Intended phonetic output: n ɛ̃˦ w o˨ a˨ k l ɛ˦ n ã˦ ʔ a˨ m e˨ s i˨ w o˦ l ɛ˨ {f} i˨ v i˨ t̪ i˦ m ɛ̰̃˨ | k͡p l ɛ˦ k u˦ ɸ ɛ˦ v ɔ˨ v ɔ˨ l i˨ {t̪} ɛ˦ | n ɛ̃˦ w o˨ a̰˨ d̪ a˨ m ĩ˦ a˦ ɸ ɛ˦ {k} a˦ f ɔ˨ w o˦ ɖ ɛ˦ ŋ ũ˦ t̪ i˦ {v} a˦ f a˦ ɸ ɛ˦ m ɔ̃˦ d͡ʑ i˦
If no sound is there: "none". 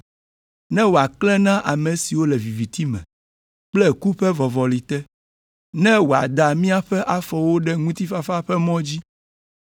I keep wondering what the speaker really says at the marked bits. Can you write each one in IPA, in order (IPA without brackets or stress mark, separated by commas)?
v, t̪, ʔ, f